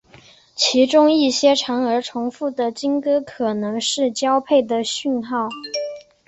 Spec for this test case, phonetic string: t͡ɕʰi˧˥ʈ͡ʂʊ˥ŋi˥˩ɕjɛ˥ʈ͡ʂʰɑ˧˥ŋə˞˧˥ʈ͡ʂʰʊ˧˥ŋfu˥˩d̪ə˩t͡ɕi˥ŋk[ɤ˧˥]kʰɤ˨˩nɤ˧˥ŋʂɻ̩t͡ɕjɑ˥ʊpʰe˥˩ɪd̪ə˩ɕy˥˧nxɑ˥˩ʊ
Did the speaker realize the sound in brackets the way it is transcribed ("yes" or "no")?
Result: no